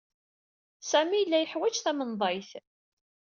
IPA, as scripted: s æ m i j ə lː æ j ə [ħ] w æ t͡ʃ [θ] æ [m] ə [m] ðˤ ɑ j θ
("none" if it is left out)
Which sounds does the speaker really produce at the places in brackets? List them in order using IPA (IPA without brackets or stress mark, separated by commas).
ħ, θ, m, n